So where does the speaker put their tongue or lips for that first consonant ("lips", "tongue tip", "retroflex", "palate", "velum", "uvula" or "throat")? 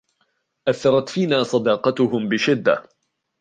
throat